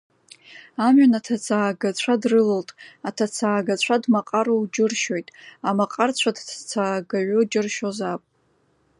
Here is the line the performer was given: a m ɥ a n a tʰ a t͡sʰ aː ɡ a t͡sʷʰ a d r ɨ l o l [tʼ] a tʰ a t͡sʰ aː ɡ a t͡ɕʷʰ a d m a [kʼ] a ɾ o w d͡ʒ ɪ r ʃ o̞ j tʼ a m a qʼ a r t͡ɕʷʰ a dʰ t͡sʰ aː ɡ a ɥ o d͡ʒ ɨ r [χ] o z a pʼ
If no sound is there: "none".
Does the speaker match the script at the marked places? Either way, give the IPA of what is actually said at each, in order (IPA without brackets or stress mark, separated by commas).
tʼ, qʼ, ʃ